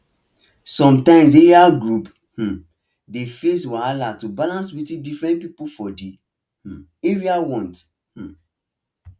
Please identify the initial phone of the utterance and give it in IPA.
s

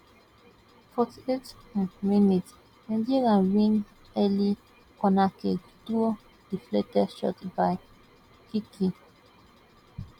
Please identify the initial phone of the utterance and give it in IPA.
f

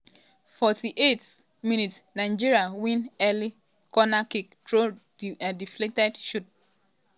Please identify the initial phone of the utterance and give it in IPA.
f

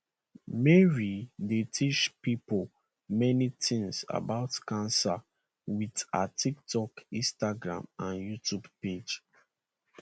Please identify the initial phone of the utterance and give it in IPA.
m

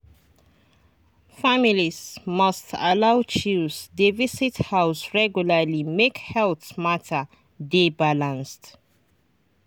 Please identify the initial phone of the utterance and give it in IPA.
f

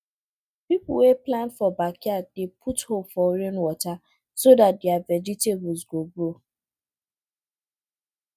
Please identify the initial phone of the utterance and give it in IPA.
p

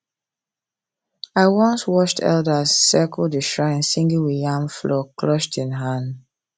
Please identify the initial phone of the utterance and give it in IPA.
a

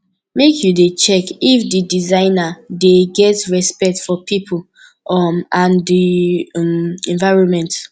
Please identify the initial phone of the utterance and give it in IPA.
m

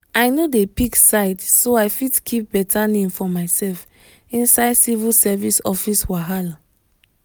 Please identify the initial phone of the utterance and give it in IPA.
a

